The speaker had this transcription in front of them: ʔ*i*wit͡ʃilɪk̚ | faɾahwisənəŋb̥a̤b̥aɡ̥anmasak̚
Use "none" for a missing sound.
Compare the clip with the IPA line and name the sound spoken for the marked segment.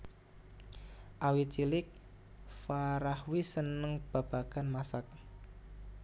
a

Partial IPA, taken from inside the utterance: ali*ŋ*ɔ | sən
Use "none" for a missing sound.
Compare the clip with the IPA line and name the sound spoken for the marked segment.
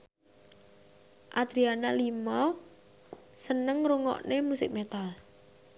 m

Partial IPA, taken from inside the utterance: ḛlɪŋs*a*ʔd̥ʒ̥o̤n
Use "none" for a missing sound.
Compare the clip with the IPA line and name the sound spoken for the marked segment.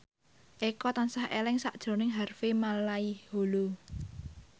a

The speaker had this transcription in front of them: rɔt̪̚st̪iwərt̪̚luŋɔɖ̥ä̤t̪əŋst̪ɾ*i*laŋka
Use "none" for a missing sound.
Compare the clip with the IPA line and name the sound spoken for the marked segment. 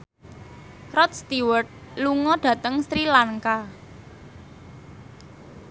i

